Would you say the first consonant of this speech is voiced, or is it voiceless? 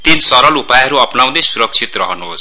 voiceless